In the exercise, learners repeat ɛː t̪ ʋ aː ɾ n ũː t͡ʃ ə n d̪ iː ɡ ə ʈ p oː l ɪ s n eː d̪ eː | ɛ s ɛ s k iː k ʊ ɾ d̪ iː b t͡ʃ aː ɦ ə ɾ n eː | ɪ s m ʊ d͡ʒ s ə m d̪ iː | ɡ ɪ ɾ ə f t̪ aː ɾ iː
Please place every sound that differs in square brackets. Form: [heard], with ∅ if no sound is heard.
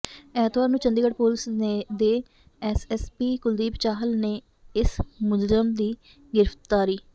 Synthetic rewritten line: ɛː t̪ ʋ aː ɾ n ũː t͡ʃ ə n d̪ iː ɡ ə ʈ p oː l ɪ s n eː d̪ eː | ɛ s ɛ s [p] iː k ʊ [l] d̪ iː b t͡ʃ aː ɦ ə [l] n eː | ɪ s m ʊ d͡ʒ [z] ə m d̪ iː | ɡ ɪ ɾ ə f t̪ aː ɾ iː